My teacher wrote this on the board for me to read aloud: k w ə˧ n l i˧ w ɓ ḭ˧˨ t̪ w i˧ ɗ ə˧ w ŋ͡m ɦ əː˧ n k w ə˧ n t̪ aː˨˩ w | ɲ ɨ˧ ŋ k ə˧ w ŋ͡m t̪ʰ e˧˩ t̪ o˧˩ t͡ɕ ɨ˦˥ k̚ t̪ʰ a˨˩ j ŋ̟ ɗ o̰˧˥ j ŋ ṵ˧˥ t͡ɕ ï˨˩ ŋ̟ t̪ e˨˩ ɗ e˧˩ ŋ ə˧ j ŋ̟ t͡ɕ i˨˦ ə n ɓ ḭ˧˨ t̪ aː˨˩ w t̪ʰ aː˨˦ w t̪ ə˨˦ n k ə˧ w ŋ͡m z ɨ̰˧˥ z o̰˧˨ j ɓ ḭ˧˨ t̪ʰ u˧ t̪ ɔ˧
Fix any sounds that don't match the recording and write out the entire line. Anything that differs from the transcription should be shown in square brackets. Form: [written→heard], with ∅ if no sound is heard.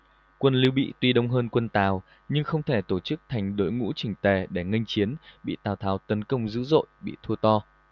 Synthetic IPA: k w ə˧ n l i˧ w ɓ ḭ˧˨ t̪ w i˧ ɗ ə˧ w ŋ͡m ɦ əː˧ n k w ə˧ n t̪ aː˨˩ w | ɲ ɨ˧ ŋ [k→x] ə˧ w ŋ͡m t̪ʰ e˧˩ t̪ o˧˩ t͡ɕ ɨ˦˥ k̚ t̪ʰ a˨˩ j ŋ̟ ɗ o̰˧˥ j ŋ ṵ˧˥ t͡ɕ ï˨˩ ŋ̟ t̪ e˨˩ ɗ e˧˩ ŋ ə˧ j ŋ̟ t͡ɕ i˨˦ ə n ɓ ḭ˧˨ t̪ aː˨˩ w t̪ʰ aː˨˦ w t̪ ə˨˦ n k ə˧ w ŋ͡m z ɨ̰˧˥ z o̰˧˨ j ɓ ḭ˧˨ t̪ʰ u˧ t̪ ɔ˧